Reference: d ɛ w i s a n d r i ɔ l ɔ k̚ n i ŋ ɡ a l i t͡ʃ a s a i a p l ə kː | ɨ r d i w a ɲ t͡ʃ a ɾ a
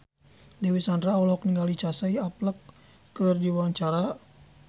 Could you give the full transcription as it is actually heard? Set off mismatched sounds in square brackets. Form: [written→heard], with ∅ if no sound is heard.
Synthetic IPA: d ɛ w i s a n d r [i→a] ɔ l ɔ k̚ n i ŋ ɡ a l i t͡ʃ a s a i a p l ə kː | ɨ r d i w a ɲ t͡ʃ a ɾ a